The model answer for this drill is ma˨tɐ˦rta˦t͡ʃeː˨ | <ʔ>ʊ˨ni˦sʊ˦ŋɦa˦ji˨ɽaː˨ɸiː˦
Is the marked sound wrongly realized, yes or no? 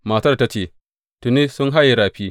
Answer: yes